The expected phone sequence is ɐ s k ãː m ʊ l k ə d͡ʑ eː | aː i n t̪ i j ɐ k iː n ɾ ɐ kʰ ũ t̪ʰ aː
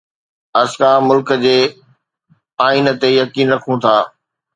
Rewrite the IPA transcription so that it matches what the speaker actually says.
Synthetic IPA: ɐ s k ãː m ʊ l k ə d͡ʑ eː | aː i n t̪ e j ɐ k iː n ɾ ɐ kʰ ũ t̪ʰ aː